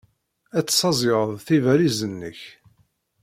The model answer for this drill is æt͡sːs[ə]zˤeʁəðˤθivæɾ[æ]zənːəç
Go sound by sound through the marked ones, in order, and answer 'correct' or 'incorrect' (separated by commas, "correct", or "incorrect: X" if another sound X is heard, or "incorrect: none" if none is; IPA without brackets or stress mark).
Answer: incorrect: ɑ, incorrect: i